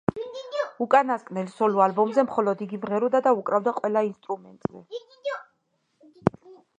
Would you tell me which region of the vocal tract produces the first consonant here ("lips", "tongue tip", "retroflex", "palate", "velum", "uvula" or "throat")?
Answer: velum